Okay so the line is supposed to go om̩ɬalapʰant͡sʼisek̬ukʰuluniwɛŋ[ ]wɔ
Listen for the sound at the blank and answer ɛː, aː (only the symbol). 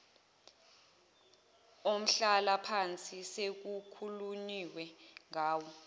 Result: aː